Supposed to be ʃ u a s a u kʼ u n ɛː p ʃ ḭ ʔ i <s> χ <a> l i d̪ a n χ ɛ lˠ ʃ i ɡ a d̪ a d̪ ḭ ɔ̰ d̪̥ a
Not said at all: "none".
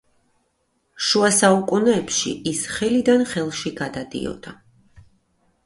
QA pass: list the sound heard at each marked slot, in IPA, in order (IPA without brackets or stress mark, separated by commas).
s, ɛ